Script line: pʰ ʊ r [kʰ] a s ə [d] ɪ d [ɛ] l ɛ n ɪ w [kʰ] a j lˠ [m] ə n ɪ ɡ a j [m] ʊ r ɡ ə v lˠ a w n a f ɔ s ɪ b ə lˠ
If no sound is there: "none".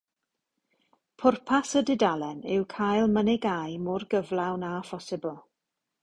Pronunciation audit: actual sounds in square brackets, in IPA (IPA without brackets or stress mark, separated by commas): pʰ, d, a, kʰ, m, m